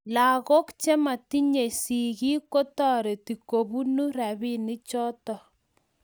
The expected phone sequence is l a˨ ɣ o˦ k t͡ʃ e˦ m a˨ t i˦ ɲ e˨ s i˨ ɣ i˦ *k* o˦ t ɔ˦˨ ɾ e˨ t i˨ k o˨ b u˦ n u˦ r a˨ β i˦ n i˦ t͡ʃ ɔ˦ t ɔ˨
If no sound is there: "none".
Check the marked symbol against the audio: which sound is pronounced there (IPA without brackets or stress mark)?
k